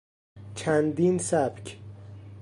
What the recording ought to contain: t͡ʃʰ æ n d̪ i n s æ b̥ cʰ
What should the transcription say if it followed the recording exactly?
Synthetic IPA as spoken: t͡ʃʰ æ n d̪ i n s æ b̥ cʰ